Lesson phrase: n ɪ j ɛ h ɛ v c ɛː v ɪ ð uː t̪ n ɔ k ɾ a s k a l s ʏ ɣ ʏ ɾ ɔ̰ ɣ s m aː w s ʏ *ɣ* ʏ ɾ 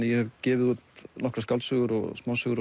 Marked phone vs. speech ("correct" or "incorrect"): correct